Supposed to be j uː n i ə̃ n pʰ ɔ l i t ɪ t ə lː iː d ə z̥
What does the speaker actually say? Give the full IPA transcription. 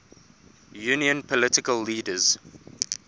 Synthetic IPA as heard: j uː n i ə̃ n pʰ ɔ l ɪ t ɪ k ə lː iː d ə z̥